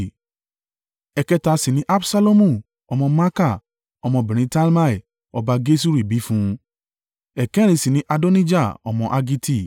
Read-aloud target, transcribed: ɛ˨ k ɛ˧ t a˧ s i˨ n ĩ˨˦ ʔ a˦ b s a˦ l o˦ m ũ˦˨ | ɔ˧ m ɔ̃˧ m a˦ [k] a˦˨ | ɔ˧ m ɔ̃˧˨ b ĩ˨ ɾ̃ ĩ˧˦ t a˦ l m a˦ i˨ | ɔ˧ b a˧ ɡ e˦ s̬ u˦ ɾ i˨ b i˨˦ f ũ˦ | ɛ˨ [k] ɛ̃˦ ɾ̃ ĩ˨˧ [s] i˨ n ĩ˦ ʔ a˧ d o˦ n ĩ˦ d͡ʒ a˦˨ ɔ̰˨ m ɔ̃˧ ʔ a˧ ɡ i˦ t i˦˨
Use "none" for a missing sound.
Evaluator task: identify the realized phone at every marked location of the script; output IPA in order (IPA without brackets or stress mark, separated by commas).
k, k, s